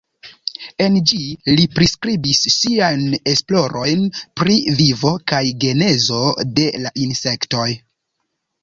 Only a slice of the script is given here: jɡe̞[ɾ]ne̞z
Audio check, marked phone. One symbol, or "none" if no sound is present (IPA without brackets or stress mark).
none